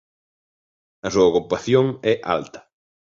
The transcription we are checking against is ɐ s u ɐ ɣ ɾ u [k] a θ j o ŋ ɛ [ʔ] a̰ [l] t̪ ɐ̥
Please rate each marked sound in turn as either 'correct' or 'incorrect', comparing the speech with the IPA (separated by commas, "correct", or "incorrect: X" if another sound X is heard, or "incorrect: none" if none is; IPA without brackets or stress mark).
incorrect: p, correct, correct